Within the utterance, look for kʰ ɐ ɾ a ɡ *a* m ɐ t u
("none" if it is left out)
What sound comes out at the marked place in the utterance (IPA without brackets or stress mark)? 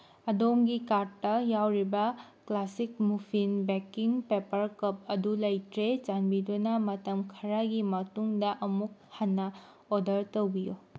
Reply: i